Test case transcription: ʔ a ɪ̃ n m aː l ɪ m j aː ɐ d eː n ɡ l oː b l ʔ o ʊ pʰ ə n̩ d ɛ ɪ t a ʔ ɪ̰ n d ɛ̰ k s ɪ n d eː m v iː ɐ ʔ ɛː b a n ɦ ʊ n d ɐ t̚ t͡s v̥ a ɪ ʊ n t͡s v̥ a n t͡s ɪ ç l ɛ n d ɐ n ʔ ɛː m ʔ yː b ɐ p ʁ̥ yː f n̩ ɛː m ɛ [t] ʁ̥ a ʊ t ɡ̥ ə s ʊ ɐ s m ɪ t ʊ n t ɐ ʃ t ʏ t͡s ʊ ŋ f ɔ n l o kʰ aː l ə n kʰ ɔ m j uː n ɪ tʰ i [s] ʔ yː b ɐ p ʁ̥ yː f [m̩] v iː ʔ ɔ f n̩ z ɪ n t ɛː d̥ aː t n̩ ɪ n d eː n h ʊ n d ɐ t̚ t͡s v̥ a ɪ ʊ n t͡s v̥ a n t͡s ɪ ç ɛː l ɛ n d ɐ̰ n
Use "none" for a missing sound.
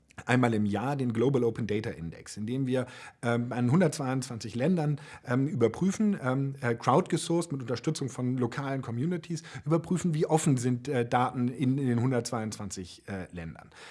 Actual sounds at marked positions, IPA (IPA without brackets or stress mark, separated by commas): k, s, n̩